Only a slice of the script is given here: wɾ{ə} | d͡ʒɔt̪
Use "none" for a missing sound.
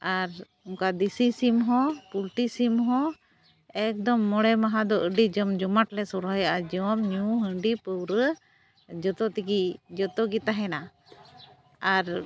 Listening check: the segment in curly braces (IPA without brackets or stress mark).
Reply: ə